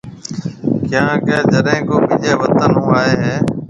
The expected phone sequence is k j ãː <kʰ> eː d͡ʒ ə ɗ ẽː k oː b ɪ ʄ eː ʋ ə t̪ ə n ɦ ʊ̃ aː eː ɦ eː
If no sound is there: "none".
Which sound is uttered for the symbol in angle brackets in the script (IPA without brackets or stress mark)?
k